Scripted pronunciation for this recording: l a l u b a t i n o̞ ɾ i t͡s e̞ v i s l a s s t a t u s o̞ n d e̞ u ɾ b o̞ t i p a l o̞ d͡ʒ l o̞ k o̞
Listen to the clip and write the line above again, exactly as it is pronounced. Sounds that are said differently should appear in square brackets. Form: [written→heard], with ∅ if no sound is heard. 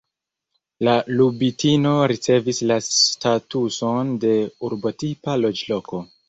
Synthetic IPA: l a l u b [a→i] t i n o̞ ɾ i t͡s e̞ v i s l a s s t a t u s o̞ n d e̞ u ɾ b o̞ t i p a l o̞ d͡ʒ l o̞ k o̞

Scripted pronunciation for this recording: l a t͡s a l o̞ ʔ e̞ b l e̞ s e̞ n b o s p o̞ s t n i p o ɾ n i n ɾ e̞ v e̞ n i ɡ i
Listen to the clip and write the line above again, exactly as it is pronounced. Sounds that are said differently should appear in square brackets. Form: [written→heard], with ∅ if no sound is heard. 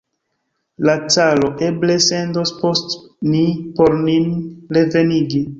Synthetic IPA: l a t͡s a l o̞ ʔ e̞ b l e̞ s e̞ n [b→d] o s p o̞ s t n i p o ɾ n i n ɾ e̞ v e̞ n i ɡ i

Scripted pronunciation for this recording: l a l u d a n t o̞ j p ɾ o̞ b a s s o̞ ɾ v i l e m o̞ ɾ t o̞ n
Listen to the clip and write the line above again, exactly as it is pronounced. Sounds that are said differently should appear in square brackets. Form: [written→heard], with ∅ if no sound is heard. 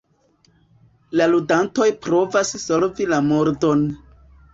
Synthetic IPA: l a l u d a n t o̞ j p ɾ o̞ [b→v] a s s o̞ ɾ v i l [e→a] m o̞ ɾ [t→d] o̞ n

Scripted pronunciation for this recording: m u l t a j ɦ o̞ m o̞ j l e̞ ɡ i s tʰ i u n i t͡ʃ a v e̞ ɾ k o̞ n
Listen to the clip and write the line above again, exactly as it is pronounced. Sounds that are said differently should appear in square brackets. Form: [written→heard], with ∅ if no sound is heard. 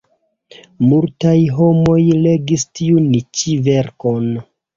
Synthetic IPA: m u l t a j ɦ o̞ m o̞ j l e̞ ɡ i s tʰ i u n i t͡ʃ [a→i] v e̞ ɾ k o̞ n

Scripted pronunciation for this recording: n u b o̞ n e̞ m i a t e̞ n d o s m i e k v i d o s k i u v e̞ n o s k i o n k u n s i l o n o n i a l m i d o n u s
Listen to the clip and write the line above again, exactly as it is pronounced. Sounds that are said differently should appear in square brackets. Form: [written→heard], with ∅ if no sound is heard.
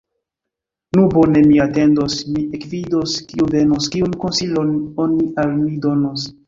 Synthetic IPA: n u b o̞ n e̞ m i a t e̞ n d o s m i e k v i d o s k i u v e̞ n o s k i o n k [u→o] n s i l o n o n i a l m i d o n [u→o] s

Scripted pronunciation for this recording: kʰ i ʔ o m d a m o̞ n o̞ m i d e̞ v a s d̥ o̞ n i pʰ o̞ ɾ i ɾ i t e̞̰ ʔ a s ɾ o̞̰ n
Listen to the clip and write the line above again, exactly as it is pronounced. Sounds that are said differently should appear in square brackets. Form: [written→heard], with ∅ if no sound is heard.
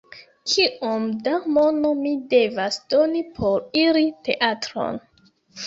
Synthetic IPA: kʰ i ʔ o m d a m o̞ n o̞ m i d e̞ v a s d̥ o̞ n i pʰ o̞ ɾ i ɾ i t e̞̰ ʔ a [s→t] ɾ o̞̰ n

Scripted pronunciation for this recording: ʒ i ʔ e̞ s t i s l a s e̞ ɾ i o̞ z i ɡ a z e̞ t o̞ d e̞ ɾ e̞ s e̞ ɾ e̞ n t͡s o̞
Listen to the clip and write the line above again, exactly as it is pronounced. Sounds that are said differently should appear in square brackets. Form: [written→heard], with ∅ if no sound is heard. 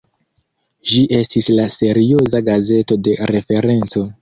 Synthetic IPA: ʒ i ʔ e̞ s t i s l a s e̞ ɾ i o̞ z [i→a] ɡ a z e̞ t o̞ d e̞ ɾ e̞ [s→f] e̞ ɾ e̞ n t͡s o̞

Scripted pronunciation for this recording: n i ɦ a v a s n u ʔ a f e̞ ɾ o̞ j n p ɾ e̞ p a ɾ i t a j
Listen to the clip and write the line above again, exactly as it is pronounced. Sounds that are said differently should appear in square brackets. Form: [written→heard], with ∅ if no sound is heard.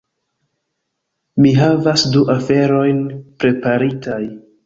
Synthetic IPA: [n→m] i ɦ a v a s [n→d] u ʔ a f e̞ ɾ o̞ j n p ɾ e̞ p a ɾ i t a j

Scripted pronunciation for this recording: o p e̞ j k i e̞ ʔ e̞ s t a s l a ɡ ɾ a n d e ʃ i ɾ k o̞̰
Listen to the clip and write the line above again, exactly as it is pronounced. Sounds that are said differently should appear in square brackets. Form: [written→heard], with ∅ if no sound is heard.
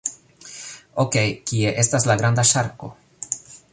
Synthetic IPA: o [p→k] e̞ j k i e̞ ʔ e̞ s t a s l a ɡ ɾ a n d [e→a] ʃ [i→a] ɾ k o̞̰

